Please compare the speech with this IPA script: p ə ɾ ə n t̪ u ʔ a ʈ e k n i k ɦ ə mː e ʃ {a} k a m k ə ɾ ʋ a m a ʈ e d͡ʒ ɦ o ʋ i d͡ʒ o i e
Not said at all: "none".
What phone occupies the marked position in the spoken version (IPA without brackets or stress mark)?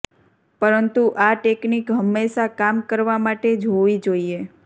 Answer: a